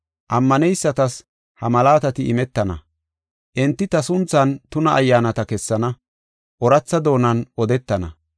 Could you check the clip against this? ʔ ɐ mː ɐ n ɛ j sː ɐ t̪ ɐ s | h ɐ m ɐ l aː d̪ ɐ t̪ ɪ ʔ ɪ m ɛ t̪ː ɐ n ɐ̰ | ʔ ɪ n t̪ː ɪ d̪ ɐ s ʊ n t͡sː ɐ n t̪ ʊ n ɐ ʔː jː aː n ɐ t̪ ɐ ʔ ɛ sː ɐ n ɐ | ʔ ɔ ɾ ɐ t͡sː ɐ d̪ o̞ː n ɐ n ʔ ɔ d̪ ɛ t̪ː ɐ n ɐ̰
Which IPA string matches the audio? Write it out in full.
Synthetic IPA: ʔ ɐ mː ɐ n ɛ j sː ɐ t̪ ɐ s | h ɐ m ɐ l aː t̪ ɐ t̪ ɪ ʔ ɪ m ɛ t̪ː ɐ n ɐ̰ | ʔ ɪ n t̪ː ɪ t̪ ɐ s ʊ n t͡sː ɐ n t̪ ʊ n ɐ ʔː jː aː n ɐ t̪ ɐ k ɛ sː ɐ n ɐ | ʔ ɔ ɾ ɐ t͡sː ɐ d̪ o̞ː n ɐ n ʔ ɔ d̪ ɛ t̪ː ɐ n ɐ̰